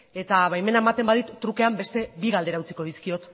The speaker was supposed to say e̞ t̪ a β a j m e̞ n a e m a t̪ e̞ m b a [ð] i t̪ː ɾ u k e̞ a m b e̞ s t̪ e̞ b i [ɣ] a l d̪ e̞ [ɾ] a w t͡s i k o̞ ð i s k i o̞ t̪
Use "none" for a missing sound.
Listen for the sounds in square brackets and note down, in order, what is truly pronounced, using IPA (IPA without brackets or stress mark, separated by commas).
ð, ɣ, ɾ